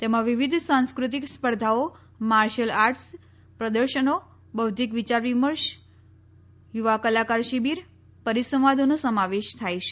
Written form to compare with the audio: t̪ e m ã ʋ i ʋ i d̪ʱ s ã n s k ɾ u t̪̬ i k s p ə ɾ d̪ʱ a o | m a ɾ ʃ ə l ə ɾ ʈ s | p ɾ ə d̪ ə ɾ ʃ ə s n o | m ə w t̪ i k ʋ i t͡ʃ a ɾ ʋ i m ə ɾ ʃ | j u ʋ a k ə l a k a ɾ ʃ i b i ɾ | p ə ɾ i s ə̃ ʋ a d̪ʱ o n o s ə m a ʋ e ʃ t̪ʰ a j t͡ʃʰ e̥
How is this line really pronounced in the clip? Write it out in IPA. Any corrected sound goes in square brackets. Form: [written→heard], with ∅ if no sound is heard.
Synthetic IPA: t̪ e m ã ʋ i ʋ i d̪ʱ s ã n s k ɾ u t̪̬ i k s p ə ɾ d̪ʱ a o | m a ɾ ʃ ə l [ə→a] ɾ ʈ s | p ɾ ə d̪ ə ɾ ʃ ə [s→∅] n o | [m→b] ə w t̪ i k ʋ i t͡ʃ a ɾ ʋ i m ə ɾ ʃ | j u ʋ a k ə l a k a ɾ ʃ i b i ɾ | p ə ɾ i s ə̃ ʋ a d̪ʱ o n o s ə m a ʋ e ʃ t̪ʰ a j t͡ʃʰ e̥